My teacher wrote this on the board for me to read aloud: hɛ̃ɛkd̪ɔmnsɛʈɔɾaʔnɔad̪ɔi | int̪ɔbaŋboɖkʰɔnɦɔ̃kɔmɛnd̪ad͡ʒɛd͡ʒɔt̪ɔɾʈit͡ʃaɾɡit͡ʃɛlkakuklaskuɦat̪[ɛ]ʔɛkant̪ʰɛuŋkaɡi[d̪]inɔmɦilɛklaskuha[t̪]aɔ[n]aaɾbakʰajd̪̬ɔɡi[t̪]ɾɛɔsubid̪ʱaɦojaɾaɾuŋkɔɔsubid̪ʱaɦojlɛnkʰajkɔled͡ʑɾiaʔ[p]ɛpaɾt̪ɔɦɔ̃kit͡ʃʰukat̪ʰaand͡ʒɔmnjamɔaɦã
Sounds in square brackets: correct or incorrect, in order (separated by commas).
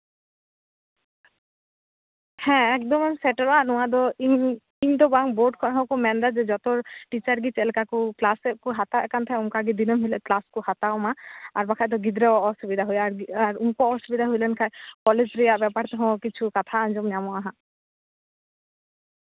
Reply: incorrect, correct, correct, incorrect, incorrect, incorrect